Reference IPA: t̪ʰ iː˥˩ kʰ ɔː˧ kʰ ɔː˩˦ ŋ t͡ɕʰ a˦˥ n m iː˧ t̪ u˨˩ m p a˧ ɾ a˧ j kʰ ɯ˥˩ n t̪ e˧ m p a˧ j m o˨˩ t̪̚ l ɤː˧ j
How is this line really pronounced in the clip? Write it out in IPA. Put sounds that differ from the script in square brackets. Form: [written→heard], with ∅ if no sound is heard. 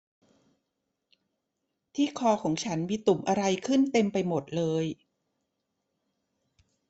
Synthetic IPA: t̪ʰ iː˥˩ kʰ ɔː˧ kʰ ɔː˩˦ ŋ t͡ɕʰ a˦˥ n m iː˧ t̪ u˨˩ m [p→ʔ] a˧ ɾ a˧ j kʰ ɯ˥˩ n t̪ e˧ m p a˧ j m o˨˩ t̪̚ l ɤː˧ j